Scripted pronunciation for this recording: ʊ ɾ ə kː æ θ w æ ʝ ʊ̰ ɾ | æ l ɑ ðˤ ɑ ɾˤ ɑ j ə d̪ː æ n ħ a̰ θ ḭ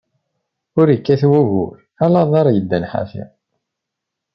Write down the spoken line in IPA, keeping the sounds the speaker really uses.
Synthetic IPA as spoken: ʊ ɾ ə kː æ θ w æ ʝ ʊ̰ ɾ | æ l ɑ ðˤ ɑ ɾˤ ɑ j ə d̪ː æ n ħ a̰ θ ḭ